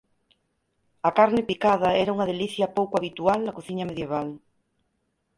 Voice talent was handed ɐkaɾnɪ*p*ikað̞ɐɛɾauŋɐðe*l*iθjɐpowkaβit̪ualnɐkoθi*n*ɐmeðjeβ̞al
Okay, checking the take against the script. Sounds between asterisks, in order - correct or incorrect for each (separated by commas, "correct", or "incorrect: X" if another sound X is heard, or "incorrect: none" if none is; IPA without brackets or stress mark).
correct, correct, incorrect: ɲ